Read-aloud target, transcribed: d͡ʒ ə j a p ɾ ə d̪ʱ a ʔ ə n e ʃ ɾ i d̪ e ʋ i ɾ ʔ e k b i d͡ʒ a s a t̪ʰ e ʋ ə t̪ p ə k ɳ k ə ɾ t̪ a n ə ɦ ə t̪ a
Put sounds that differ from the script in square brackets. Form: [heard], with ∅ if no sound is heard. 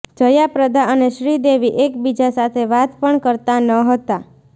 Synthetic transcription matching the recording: d͡ʒ ə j a p ɾ ə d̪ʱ a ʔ ə n e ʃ ɾ i d̪ e ʋ i [∅] ʔ e k b i d͡ʒ a s a t̪ʰ e ʋ [a] t̪ p ə [∅] ɳ k ə ɾ t̪ a n ə ɦ ə t̪ a